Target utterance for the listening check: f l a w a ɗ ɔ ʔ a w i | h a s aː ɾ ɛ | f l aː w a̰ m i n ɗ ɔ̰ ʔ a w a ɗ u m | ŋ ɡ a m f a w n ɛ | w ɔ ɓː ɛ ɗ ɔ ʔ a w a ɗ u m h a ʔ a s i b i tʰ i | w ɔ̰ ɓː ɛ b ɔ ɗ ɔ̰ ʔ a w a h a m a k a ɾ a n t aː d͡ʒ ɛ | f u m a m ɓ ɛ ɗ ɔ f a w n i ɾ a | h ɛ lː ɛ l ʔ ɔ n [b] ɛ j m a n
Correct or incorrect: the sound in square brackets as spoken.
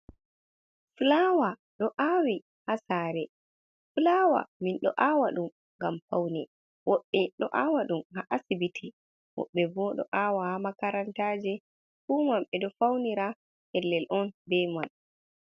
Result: correct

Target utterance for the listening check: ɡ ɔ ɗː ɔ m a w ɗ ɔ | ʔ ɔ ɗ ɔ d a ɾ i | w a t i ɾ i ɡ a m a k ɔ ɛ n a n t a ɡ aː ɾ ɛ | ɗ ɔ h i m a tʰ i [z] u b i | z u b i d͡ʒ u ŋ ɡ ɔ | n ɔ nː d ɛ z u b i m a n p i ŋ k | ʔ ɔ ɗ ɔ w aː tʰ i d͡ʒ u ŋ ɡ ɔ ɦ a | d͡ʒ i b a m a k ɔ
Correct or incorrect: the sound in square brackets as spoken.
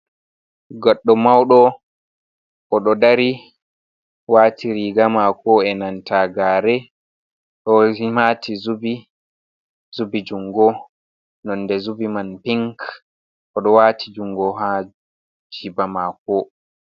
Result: correct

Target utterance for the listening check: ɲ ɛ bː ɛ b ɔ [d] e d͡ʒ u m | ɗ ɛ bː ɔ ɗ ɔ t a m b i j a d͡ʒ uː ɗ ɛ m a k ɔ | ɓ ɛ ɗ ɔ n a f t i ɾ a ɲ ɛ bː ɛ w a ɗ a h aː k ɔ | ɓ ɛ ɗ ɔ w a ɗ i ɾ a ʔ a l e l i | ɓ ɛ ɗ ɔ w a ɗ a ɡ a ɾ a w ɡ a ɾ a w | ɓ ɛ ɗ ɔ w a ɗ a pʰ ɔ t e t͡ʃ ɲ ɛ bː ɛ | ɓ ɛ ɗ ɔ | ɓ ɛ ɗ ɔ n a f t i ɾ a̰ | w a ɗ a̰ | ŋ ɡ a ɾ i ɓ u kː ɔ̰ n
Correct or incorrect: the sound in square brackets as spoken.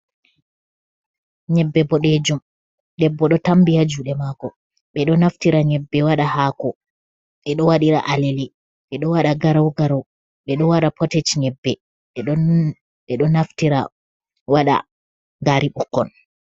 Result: incorrect: ɗ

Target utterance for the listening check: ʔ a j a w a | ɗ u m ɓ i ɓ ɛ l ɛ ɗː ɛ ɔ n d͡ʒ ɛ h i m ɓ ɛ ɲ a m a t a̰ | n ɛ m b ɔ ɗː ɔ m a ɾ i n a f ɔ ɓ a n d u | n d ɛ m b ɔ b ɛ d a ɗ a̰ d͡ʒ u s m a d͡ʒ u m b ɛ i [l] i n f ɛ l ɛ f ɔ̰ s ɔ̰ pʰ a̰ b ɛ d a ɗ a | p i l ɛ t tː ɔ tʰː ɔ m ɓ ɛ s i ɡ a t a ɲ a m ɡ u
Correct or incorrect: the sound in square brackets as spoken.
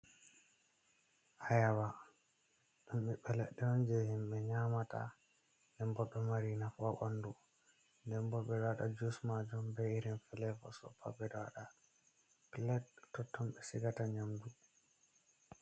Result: incorrect: ɾ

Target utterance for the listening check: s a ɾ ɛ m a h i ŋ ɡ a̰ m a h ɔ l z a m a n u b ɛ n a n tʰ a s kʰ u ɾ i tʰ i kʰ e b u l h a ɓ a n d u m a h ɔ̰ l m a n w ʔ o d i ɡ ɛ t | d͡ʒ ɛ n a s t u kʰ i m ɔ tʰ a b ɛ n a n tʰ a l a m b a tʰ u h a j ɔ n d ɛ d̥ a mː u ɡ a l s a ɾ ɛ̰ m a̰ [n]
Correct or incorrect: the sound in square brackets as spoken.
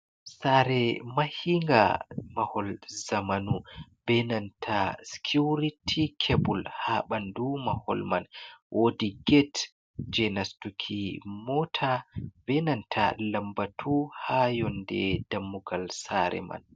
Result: correct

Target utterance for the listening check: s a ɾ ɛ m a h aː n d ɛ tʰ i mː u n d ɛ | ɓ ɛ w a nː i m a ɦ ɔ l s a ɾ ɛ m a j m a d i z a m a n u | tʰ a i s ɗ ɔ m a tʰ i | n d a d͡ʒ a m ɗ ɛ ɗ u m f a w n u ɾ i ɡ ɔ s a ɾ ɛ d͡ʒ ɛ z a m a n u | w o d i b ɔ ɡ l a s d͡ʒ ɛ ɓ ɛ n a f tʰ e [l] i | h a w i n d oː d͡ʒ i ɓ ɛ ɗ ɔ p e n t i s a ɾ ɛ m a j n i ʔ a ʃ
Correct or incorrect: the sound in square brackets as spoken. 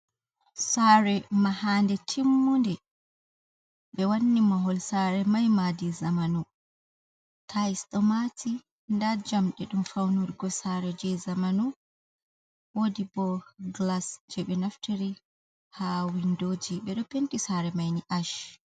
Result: incorrect: ɾ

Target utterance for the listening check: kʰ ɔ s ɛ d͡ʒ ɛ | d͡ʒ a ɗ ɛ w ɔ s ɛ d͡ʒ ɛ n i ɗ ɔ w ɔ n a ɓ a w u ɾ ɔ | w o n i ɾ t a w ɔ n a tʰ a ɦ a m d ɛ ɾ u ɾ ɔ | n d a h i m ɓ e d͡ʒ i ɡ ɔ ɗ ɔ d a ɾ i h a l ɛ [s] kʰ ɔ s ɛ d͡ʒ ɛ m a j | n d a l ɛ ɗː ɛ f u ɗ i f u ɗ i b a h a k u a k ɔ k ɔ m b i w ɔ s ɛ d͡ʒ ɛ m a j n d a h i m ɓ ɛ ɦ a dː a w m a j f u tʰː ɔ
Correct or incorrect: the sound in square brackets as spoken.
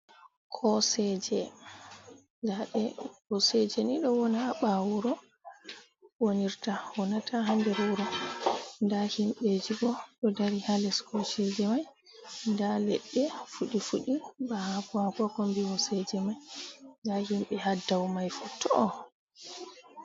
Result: correct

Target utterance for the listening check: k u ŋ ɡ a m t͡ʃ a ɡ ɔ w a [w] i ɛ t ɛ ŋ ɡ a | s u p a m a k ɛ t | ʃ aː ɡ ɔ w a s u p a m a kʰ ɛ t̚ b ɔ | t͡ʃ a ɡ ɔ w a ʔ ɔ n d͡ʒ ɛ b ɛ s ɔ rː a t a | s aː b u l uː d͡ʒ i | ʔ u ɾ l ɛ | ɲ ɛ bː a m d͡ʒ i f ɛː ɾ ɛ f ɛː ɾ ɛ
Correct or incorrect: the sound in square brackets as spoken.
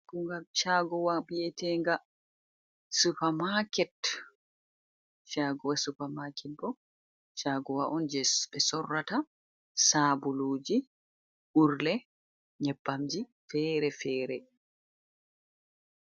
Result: incorrect: b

